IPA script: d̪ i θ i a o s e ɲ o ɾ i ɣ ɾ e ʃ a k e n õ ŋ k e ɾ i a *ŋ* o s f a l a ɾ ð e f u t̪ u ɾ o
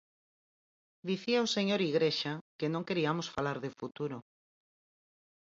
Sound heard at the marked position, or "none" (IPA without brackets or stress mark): m